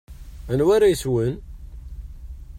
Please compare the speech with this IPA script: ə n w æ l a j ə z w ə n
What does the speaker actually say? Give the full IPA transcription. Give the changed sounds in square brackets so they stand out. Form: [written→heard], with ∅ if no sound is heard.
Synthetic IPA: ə n w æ [l→ɾ] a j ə [z→s] w ə n